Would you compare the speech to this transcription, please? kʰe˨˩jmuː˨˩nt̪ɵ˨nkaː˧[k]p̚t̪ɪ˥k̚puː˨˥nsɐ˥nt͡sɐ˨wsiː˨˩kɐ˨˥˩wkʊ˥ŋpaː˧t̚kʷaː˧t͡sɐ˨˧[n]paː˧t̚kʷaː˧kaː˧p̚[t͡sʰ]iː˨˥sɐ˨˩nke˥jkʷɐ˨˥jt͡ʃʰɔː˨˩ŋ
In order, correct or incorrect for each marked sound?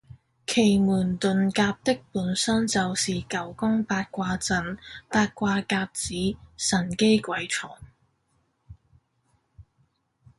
incorrect: none, correct, incorrect: t͡s

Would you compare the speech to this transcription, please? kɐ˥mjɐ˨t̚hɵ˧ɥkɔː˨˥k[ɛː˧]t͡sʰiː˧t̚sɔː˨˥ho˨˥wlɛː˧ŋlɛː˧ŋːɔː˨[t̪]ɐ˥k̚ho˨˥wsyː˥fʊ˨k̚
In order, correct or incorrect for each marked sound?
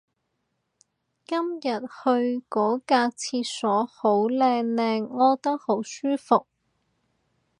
incorrect: aː˧, correct

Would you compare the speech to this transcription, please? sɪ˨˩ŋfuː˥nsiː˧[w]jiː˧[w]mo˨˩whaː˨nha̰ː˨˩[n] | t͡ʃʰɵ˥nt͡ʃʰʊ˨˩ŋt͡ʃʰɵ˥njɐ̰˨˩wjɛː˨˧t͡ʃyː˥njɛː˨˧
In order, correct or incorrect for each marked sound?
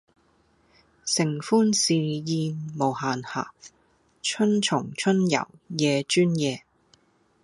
incorrect: none, incorrect: none, incorrect: none

